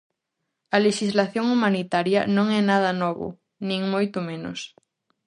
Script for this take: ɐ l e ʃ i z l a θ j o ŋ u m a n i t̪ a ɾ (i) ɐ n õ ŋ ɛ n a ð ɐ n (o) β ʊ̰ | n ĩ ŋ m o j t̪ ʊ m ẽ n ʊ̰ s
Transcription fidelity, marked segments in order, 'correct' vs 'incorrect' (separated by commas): incorrect, incorrect